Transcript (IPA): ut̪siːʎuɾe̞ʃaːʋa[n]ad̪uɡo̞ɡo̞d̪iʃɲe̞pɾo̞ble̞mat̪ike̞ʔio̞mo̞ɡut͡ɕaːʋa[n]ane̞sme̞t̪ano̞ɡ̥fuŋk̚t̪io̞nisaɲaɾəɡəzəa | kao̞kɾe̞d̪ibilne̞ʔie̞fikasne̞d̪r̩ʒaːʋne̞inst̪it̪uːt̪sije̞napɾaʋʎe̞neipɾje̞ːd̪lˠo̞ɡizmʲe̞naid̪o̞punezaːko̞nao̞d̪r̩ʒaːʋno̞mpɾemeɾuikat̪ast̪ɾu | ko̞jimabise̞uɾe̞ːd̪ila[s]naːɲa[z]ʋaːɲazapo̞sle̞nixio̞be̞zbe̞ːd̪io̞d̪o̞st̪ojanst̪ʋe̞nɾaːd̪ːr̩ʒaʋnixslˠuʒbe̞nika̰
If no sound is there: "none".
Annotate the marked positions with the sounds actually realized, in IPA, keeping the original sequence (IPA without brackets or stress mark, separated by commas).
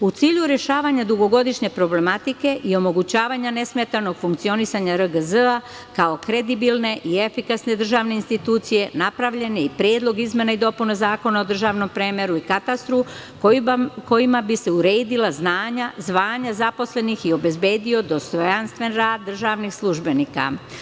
ɲ, ɲ, z, z